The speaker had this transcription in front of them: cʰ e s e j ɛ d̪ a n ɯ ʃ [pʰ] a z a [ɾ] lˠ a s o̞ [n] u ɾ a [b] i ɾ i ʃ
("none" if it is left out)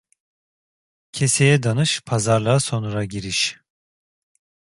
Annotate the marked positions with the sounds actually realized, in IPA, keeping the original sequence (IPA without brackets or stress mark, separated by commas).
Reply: pʰ, ɾ, n, ɟ